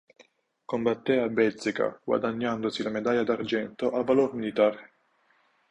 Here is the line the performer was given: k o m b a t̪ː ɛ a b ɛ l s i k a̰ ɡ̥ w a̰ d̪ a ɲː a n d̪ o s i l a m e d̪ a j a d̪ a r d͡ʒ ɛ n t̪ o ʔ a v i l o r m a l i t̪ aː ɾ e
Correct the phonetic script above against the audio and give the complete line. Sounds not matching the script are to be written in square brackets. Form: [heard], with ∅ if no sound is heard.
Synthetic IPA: k o m b a t̪ː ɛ a b ɛ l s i k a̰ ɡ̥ w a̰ d̪ a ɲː a n d̪ o s i l a m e d̪ a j a d̪ a r d͡ʒ ɛ n t̪ o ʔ a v [a] l o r m [i] l i t̪ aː ɾ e